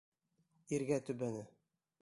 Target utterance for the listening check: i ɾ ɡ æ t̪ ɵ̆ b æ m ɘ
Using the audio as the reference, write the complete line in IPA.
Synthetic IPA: i ɾ ɡ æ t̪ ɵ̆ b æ n ɘ